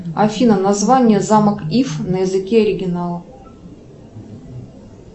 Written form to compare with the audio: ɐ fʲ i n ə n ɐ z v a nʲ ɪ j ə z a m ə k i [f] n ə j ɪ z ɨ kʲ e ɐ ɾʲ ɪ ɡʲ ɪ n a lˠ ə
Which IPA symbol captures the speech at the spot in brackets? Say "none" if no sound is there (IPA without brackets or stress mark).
f